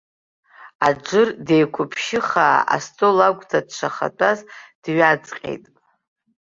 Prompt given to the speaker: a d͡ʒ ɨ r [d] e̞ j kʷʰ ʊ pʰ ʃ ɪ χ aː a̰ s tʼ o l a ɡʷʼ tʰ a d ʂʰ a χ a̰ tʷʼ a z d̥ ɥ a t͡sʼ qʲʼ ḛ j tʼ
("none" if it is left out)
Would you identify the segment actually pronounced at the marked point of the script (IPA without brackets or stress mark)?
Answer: d